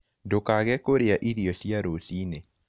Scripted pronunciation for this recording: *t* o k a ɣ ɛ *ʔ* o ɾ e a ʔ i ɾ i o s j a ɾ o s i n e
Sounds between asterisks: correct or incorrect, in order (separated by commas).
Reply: incorrect, incorrect